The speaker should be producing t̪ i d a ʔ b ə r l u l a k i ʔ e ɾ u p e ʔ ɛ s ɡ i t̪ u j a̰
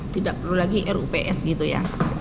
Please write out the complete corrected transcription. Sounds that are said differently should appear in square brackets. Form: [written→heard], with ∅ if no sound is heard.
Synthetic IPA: t̪ i d a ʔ [b→p] ə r l u l a [k→ɡ] i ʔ [e→ɛ] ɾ u p e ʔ ɛ s ɡ i t̪ u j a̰